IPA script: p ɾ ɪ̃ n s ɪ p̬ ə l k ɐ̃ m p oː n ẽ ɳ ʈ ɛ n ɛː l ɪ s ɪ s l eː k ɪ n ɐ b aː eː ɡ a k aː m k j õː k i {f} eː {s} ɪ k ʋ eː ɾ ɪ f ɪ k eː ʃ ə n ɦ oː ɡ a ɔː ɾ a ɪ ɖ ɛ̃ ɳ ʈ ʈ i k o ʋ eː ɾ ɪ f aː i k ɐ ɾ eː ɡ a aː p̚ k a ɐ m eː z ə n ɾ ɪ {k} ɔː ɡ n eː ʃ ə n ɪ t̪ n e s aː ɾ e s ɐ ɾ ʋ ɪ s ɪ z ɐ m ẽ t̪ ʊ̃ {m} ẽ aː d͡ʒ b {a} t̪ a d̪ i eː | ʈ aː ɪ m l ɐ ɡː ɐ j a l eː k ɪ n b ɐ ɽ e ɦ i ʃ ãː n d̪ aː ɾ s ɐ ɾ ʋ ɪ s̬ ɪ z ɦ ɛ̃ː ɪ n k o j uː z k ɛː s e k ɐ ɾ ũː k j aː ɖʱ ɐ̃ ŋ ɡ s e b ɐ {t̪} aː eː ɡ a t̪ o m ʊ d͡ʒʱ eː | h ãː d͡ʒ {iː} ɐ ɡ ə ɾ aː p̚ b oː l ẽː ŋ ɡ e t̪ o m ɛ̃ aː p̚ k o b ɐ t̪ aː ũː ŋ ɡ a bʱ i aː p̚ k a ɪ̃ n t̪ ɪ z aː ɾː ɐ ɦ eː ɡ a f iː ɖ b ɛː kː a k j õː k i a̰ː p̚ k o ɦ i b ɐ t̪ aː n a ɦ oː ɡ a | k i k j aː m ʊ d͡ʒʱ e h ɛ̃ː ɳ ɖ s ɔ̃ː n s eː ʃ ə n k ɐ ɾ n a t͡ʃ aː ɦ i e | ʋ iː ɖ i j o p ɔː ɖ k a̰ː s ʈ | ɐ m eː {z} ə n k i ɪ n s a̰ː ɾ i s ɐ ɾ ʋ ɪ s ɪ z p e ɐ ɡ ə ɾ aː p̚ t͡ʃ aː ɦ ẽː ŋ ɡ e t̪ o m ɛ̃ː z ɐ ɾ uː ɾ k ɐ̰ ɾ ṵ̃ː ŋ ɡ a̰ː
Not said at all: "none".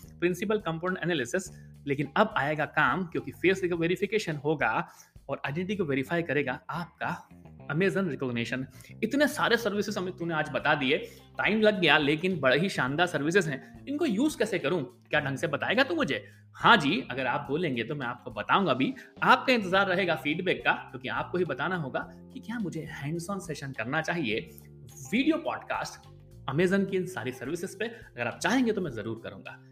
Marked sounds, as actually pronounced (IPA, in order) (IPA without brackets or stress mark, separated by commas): f, s, k, n, ɐ, t̪, iː, z